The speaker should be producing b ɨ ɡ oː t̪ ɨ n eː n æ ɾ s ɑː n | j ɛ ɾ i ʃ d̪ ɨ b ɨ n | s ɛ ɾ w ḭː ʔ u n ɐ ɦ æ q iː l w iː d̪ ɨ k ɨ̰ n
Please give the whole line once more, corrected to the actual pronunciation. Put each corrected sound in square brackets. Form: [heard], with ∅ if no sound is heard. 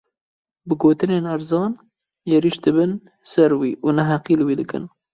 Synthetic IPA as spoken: b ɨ ɡ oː t̪ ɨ n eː n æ ɾ [z] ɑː n | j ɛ ɾ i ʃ d̪ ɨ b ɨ n | s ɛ ɾ w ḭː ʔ u n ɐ ɦ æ q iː l w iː d̪ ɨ k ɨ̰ n